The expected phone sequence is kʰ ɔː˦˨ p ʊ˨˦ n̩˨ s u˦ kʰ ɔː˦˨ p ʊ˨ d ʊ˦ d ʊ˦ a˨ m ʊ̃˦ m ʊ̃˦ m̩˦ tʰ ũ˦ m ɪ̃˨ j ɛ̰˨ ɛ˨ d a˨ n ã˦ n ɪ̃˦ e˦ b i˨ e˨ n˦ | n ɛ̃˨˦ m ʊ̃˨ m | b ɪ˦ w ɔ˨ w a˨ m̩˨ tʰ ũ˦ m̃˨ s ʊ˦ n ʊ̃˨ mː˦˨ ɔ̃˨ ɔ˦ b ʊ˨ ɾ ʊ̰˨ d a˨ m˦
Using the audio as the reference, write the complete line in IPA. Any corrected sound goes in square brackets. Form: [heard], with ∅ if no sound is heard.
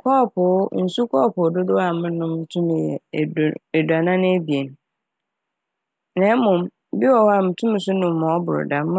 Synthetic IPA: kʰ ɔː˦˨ p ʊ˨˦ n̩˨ s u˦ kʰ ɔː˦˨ p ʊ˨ d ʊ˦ d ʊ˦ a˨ m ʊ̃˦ [n] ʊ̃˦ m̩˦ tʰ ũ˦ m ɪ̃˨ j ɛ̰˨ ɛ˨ d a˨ n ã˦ n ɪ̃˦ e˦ b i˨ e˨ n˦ | n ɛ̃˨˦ m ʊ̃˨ m | b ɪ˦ w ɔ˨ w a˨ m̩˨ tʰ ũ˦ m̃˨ s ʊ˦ n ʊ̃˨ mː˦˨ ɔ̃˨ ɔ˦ b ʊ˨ ɾ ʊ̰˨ d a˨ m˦